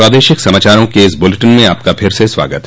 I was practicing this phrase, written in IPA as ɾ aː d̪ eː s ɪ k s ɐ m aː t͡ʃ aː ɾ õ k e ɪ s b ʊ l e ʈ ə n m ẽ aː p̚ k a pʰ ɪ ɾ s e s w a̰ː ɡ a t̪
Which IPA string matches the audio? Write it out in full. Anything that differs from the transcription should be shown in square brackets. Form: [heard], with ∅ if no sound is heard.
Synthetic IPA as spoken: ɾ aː d̪ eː [ʃ] ɪ k s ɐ m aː t͡ʃ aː ɾ õ k e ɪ s b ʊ l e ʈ ə n m ẽ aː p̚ k a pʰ ɪ ɾ s e s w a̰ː ɡ [ə] t̪